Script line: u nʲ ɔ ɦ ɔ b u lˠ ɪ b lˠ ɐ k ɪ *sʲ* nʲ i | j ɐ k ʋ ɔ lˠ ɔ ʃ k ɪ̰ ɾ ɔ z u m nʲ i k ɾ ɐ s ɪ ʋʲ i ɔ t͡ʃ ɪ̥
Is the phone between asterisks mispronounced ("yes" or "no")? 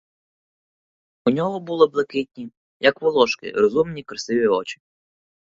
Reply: yes